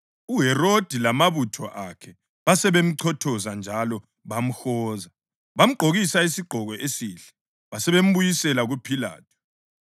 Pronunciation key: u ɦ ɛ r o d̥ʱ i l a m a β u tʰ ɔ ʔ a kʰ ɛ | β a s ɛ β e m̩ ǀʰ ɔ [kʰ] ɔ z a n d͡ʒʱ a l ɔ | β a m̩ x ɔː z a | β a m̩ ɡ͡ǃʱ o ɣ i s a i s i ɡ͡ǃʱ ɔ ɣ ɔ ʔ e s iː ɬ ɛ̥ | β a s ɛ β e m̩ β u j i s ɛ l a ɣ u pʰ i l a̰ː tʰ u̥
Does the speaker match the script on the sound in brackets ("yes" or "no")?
no